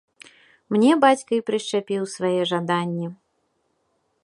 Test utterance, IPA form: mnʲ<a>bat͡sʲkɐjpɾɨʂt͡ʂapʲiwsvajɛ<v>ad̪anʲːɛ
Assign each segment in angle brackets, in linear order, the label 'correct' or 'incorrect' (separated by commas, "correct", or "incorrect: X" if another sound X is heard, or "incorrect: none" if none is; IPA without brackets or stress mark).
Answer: incorrect: ɛ, incorrect: ʐ